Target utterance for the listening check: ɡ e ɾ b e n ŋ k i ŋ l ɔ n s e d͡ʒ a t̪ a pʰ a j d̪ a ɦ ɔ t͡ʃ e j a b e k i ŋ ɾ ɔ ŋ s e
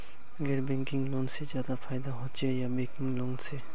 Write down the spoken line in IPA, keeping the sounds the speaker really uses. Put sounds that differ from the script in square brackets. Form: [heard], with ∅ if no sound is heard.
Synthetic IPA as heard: ɡ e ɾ b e [∅] ŋ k i ŋ l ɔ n s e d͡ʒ a [d̪] a pʰ a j d̪ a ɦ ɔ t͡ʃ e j a b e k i ŋ [l] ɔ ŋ s e